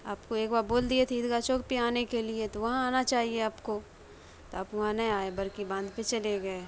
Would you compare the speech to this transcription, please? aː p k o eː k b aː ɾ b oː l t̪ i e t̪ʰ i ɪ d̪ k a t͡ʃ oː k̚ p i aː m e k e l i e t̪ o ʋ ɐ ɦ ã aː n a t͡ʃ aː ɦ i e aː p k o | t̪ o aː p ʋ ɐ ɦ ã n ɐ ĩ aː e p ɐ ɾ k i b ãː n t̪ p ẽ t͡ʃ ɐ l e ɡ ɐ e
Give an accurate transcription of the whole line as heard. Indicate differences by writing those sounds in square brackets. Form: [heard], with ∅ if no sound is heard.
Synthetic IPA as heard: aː p k o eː k b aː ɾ b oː l [d̪] i e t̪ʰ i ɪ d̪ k a t͡ʃ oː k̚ p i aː [n] e k e l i e t̪ o ʋ ɐ ɦ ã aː n a t͡ʃ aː ɦ i e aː p k o | t̪ o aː p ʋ ɐ ɦ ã n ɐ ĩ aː e [b] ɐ ɾ k i b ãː n [d̪] p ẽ t͡ʃ ɐ l e ɡ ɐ e